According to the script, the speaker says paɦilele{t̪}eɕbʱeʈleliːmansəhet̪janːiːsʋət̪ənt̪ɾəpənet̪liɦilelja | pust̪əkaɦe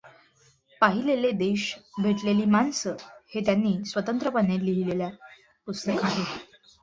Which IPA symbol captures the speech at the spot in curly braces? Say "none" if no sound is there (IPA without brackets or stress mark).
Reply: d̪